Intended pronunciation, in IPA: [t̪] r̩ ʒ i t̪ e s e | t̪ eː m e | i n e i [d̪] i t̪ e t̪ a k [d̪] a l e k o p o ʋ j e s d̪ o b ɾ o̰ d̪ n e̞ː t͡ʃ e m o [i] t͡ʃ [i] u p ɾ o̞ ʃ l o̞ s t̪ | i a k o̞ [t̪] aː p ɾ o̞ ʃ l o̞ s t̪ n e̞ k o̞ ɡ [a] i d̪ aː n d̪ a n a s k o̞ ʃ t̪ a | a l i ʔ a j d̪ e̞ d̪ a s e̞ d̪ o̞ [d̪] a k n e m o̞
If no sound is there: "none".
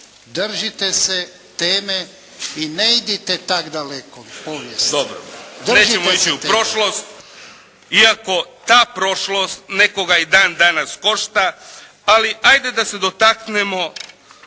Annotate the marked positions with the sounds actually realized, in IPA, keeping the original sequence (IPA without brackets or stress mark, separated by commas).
d̪, d̪, d̪, i, i, t̪, a, t̪